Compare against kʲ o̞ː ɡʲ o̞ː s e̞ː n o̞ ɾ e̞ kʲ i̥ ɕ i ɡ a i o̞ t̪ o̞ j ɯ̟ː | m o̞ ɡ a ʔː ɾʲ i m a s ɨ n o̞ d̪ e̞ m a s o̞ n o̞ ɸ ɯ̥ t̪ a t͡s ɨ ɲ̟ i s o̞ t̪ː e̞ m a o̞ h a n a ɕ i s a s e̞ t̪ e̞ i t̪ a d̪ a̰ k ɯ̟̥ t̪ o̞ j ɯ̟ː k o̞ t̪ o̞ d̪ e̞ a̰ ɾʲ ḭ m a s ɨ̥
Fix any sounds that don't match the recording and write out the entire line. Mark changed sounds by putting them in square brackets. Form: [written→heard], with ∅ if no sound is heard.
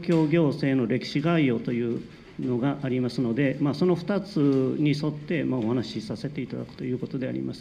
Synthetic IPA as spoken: kʲ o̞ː ɡʲ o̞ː s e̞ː n o̞ ɾ e̞ kʲ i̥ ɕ i ɡ a i o̞ t̪ o̞ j ɯ̟ː | [m→n] o̞ ɡ a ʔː ɾʲ i m a s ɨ n o̞ d̪ e̞ m a s o̞ n o̞ ɸ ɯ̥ t̪ a t͡s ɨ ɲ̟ i s o̞ t̪ː e̞ m a o̞ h a n a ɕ i s a s e̞ t̪ e̞ i t̪ a d̪ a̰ k ɯ̟̥ t̪ o̞ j ɯ̟ː k o̞ t̪ o̞ d̪ e̞ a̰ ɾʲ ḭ m a s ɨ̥